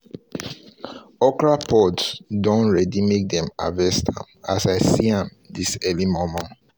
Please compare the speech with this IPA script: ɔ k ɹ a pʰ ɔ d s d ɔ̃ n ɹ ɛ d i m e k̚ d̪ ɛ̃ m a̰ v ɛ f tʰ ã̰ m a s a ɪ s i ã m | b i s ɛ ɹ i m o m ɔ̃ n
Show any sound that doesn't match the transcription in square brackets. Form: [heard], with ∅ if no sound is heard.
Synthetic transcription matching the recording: ɔ k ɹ a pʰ ɔ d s d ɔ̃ n ɹ ɛ d i m e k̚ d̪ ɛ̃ m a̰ v ɛ [s] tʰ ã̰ m a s a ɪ s i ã m | [d] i s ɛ [l] i m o m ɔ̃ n